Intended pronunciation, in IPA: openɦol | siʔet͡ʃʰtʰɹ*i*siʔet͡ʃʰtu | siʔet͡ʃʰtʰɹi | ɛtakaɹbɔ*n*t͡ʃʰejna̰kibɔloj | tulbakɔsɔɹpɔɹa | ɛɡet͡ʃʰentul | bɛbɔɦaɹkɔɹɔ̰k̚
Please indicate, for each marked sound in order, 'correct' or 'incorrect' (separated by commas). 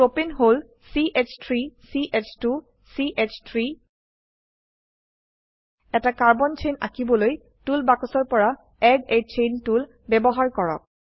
correct, correct